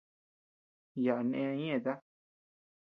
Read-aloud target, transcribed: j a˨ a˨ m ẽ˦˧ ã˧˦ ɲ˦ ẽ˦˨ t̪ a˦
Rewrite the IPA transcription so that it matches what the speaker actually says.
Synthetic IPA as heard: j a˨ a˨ n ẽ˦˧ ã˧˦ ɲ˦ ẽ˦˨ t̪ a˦